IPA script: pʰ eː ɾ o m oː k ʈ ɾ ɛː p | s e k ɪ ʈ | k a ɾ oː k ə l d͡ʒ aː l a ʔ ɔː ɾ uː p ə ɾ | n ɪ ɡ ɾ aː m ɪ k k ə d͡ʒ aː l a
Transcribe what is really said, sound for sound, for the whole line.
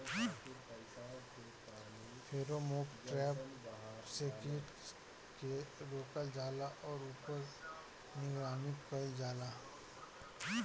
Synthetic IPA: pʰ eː ɾ o m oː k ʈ ɾ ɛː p | s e k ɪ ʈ | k e ɾ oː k ə l d͡ʒ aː l a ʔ ɔː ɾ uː p ə ɾ | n ɪ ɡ ɾ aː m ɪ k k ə d͡ʒ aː l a